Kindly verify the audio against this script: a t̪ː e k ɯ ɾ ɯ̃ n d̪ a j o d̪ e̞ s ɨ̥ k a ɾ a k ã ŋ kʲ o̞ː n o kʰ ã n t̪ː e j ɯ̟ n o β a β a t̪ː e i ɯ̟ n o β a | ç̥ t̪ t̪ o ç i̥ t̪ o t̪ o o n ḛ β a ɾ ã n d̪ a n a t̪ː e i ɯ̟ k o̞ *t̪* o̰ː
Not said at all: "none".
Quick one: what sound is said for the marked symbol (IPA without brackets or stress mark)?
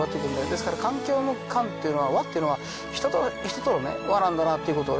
t̪